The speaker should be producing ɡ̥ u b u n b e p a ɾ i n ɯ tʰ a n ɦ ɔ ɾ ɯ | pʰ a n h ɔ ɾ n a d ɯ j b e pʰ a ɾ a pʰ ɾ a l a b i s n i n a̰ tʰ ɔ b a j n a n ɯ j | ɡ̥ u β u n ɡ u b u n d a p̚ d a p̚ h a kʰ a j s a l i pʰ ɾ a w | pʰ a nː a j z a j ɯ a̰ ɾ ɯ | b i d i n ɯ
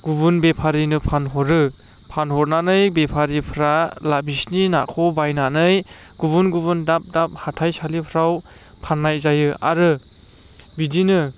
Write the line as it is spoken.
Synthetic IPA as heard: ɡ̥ u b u n b e pʰ a ɾ i n ɯ pʰ a n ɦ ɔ ɾ ɯ | pʰ a n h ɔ ɾ n a n ɯ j b e pʰ a ɾ i pʰ ɾ a l a b i s n i n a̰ kʰ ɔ b a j n a n ɯ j | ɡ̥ u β u n ɡ u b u n d a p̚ d a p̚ h a tʰ a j s a l i pʰ ɾ a w | pʰ a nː a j z a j ɯ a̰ ɾ ɯ | b i d i n ɯ